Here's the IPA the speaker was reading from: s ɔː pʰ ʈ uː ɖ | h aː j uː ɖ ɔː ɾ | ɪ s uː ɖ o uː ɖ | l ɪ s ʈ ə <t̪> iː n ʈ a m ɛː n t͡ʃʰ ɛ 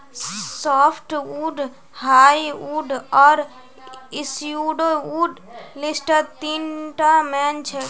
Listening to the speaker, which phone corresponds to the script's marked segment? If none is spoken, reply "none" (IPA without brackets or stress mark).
t̪